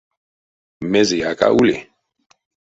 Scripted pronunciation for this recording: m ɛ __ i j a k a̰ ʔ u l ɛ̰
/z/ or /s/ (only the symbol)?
z